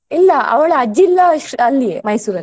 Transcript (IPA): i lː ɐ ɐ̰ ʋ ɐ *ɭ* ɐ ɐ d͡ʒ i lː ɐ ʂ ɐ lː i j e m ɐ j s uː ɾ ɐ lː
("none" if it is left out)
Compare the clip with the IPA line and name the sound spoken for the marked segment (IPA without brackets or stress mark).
ɭ